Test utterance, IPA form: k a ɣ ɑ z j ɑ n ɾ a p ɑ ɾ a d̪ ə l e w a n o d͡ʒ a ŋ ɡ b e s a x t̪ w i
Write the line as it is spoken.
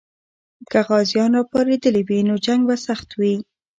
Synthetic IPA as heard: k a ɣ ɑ z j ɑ n ɾ ɑ p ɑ ɾ e d̪ ə l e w i n o d͡ʒ a ŋ ɡ b a s a x t̪ w i